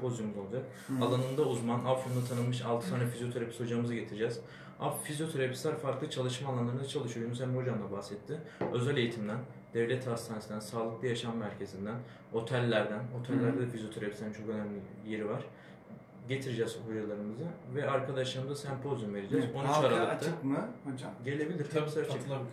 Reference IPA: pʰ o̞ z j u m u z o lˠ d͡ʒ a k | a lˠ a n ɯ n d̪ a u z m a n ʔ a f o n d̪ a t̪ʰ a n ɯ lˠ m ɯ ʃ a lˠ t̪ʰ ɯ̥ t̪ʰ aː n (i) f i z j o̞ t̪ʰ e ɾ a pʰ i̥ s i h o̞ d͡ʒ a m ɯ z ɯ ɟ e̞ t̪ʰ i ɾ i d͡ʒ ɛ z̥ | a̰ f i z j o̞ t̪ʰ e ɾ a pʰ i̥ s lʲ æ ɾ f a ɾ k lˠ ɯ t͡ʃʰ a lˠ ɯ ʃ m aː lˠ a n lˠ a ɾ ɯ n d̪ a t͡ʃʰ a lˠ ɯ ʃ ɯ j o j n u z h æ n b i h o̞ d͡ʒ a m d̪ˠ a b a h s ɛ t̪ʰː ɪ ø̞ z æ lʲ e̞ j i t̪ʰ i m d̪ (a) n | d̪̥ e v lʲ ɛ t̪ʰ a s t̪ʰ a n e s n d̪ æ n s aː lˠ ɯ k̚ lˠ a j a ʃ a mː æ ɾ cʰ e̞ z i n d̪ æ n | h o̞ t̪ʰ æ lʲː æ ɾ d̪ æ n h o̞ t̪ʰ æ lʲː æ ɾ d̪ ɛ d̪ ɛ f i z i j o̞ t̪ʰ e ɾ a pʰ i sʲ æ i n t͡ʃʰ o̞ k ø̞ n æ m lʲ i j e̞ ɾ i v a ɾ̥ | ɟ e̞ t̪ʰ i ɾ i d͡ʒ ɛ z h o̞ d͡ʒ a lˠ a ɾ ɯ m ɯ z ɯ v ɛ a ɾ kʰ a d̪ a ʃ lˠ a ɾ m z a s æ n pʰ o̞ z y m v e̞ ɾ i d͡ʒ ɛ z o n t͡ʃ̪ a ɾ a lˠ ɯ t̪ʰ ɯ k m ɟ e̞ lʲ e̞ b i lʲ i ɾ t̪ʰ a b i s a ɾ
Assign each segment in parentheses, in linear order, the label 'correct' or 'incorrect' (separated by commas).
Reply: incorrect, incorrect